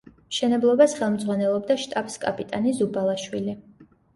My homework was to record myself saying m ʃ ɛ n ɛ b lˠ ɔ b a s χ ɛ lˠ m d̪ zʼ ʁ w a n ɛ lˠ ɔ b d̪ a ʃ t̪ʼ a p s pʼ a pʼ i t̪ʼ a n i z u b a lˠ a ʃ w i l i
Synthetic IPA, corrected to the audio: m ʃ ɛ n ɛ b lˠ ɔ b a s χ ɛ lˠ m d̪ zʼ ʁ w a n ɛ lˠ ɔ b d̪ a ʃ t̪ʼ a p s kʼ a pʼ i t̪ʼ a n i z u b a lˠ a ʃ w i l i